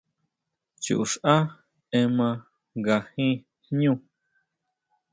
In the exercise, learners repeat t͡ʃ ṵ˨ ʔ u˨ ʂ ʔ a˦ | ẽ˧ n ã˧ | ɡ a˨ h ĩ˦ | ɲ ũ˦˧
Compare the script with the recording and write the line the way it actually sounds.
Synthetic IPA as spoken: t͡ʃ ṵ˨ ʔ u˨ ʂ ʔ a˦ | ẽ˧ m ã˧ | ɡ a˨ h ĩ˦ | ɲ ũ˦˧

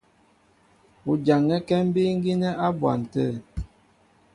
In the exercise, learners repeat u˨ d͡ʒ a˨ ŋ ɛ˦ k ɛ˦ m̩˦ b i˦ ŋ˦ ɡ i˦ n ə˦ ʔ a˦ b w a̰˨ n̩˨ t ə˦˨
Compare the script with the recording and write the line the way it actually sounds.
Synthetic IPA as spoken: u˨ d͡ʒ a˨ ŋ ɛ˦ k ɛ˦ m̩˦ b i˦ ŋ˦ ɡ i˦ n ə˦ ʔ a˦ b w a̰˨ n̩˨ t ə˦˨

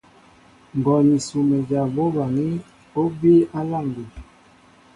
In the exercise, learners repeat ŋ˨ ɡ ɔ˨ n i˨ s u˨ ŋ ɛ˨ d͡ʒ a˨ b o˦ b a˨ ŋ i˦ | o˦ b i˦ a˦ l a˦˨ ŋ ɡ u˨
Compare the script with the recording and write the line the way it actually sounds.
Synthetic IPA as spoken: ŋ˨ ɡ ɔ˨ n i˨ s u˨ m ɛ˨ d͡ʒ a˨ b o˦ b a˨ ŋ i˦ | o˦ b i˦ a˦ l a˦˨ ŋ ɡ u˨

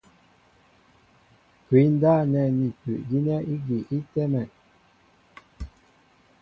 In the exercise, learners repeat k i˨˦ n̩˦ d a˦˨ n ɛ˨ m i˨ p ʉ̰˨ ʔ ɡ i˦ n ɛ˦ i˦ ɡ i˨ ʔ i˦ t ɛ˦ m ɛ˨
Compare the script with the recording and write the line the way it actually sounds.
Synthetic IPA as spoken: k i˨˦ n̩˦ d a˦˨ n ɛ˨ n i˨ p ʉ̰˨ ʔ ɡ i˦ n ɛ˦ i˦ ɡ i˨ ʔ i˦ t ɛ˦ m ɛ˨

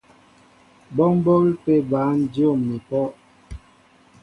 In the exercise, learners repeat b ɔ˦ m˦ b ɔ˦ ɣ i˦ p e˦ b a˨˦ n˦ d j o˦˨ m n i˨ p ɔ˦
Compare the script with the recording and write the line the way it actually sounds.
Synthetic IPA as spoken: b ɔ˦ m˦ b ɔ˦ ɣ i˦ p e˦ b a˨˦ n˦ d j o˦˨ m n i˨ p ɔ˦

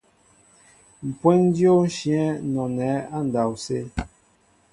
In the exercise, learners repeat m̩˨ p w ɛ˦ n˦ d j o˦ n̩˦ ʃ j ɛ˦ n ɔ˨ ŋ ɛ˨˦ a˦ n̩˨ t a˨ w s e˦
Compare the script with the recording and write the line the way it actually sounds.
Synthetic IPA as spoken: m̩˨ p w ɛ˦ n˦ d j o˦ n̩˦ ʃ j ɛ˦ n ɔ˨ n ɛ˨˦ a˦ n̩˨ d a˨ w s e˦

